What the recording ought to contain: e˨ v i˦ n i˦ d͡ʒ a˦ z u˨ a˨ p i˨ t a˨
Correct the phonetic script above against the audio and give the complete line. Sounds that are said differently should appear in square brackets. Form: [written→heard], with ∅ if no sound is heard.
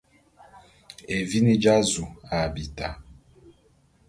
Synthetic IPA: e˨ v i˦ n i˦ d͡ʒ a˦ z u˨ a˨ [p→b] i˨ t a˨